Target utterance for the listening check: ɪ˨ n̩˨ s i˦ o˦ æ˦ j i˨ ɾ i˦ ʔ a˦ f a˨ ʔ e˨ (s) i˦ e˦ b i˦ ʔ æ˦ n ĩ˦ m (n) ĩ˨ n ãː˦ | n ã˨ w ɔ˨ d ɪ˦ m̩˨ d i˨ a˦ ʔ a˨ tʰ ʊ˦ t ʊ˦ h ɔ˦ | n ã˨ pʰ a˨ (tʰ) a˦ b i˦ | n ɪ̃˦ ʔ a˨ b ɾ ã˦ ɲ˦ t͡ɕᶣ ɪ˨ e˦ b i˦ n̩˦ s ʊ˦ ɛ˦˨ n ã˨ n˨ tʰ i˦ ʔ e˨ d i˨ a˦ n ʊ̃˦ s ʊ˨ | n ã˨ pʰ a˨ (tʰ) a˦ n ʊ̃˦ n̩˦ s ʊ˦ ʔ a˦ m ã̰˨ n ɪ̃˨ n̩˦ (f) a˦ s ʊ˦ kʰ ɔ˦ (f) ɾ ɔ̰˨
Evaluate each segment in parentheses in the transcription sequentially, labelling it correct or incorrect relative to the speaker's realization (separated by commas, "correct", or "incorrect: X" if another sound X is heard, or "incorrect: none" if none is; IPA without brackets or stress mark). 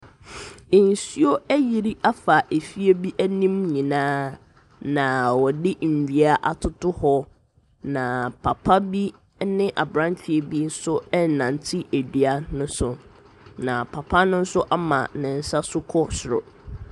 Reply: incorrect: f, incorrect: ɲ, incorrect: pʰ, incorrect: pʰ, incorrect: s, incorrect: s